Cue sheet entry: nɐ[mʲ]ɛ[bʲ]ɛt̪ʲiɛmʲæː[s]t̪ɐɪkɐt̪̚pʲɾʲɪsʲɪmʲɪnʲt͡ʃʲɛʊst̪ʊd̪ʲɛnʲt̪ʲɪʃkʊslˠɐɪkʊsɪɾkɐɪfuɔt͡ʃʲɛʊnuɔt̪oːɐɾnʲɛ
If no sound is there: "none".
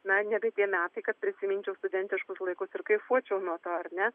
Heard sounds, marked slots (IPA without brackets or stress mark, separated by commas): nʲ, bʲ, none